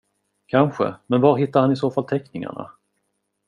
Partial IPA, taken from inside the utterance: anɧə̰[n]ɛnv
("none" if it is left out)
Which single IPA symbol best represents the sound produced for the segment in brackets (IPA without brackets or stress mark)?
m